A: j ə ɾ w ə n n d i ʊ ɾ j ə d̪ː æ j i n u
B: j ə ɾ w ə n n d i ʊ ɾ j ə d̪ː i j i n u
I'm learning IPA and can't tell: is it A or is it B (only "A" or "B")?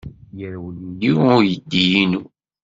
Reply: B